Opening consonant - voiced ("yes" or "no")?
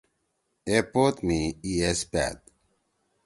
no